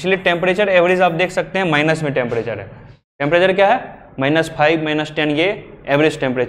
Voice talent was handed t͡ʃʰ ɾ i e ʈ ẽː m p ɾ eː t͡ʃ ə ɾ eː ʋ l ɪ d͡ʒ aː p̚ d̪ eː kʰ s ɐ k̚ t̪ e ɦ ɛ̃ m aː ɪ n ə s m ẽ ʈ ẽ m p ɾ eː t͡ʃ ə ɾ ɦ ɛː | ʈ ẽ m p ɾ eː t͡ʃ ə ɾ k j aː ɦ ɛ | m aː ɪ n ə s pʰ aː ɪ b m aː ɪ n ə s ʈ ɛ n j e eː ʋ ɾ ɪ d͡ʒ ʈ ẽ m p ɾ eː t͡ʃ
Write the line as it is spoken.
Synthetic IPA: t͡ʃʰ l i e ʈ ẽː m p ɾ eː t͡ʃ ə ɾ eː ʋ ɾ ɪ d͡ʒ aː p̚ d̪ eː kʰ s ɐ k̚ t̪ e ɦ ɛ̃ m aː ɪ n ə s m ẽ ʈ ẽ m p ɾ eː t͡ʃ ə ɾ ɦ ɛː | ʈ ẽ m p ɾ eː t͡ʃ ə ɾ k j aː ɦ ɛ | m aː ɪ n ə s pʰ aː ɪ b m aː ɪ n ə s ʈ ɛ n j e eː ʋ ɾ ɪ d͡ʒ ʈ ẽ m p ɾ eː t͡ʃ

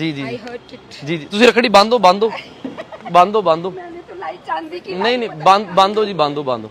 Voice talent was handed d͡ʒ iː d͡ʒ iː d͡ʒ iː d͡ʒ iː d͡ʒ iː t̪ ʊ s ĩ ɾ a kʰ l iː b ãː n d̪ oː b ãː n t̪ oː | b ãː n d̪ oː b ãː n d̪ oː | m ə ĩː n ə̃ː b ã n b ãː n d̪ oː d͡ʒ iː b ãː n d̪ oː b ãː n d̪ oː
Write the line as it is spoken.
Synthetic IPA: d͡ʒ iː d͡ʒ iː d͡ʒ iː d͡ʒ iː d͡ʒ iː t̪ ʊ s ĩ ɾ ə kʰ ɽ iː b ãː n d̪ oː b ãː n d̪ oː | b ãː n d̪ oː b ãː n d̪ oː | n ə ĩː n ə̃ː b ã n b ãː n d̪ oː d͡ʒ iː b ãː n d̪ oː b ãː n d̪ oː

